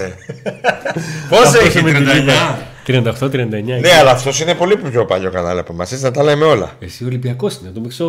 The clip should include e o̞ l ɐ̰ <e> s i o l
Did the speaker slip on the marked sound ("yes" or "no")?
no